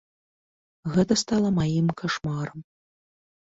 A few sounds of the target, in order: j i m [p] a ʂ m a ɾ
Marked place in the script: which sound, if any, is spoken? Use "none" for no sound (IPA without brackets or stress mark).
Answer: k